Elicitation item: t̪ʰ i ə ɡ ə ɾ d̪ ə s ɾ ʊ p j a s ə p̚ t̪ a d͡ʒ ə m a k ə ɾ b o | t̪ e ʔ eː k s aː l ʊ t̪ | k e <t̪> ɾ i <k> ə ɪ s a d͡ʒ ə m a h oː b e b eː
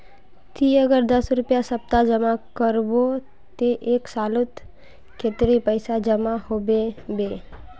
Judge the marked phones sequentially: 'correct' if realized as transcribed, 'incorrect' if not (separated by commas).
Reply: correct, incorrect